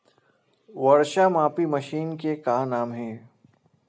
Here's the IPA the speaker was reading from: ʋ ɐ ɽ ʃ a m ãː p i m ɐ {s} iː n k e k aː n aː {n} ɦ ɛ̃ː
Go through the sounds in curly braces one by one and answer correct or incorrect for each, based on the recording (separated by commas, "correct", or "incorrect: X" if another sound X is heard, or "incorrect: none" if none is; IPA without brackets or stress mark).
incorrect: ʃ, incorrect: m